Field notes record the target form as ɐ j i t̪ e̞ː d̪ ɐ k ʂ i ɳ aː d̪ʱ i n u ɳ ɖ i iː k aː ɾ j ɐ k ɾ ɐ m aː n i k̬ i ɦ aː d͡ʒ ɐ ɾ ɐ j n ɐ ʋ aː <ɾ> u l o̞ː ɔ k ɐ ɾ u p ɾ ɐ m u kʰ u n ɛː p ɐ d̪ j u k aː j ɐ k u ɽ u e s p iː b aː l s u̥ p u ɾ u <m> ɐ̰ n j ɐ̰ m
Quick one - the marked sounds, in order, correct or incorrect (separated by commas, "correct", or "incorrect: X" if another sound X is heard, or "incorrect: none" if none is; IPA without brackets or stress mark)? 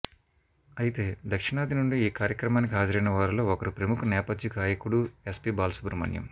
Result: correct, correct